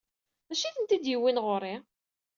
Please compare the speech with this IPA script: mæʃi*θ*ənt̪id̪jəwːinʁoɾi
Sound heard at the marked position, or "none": θ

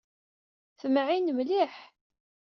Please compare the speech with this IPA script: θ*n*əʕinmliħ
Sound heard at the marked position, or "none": m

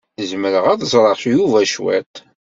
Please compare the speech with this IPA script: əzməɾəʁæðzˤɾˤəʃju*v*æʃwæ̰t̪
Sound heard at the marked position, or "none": v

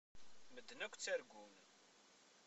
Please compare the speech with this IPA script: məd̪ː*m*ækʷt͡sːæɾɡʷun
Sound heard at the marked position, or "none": n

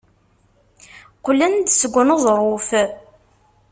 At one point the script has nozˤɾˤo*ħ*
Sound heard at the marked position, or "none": f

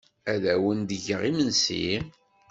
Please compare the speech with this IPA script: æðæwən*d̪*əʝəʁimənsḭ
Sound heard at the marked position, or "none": d̪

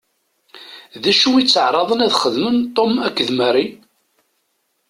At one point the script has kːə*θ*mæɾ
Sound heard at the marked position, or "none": ð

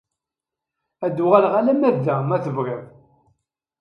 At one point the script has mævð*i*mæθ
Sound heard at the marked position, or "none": æ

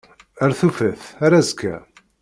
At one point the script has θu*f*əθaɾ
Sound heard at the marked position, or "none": f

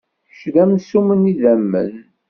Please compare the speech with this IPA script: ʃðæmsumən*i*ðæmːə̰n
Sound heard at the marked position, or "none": i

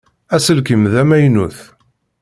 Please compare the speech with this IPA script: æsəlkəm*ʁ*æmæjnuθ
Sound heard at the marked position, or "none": ð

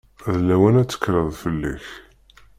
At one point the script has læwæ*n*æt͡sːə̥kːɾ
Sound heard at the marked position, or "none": n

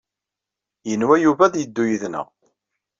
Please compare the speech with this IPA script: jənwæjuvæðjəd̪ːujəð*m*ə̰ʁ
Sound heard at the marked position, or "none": n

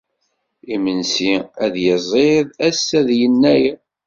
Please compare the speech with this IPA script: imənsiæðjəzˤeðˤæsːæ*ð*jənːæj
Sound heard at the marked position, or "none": ð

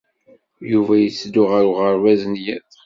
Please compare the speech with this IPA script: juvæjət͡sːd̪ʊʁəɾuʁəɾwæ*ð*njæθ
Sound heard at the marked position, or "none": z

